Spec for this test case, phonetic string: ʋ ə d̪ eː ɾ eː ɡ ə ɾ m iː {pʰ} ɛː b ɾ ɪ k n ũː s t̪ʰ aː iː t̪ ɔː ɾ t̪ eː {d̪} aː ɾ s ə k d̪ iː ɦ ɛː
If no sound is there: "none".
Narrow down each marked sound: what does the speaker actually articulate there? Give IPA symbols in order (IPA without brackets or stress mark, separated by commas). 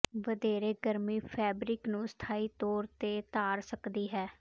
pʰ, t̪